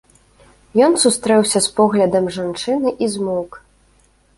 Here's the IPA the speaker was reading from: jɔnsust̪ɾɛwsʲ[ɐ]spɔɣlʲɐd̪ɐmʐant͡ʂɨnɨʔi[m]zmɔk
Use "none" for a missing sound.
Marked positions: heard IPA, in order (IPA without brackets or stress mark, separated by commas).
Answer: ɐ, none